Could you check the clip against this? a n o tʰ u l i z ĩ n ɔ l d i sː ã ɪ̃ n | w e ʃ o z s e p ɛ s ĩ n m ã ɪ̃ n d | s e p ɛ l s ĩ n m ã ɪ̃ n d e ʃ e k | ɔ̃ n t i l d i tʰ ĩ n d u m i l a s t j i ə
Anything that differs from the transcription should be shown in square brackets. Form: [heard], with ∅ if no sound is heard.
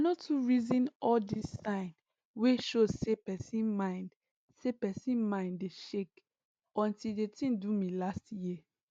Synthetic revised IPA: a n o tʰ u [ɹ] i z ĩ n ɔ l d i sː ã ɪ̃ n | w e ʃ o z s e p ɛ s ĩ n m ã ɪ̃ n d | s e p ɛ [∅] s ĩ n m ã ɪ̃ n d e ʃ e k | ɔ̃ n t i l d [e] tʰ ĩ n d u m i l a s t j i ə

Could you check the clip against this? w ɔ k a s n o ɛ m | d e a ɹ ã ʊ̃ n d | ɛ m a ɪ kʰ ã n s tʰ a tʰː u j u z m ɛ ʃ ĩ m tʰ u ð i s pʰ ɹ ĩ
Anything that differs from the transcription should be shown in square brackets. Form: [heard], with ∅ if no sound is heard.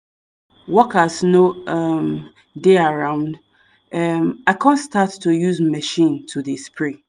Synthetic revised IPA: w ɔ k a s n o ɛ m | d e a ɹ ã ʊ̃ n d | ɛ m a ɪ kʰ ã n s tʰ a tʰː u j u z m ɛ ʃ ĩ [n] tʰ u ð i s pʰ ɹ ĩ

